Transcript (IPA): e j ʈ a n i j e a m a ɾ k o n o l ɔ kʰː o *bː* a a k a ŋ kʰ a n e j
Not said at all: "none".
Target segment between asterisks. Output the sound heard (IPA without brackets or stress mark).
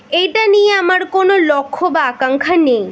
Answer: b